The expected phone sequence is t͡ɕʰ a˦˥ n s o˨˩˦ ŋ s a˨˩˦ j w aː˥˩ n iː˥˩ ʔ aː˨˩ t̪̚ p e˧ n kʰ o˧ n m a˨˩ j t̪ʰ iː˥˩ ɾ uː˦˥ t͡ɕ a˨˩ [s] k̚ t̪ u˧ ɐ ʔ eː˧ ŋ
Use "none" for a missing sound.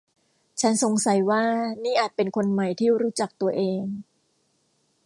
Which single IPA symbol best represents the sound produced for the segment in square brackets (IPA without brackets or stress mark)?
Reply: none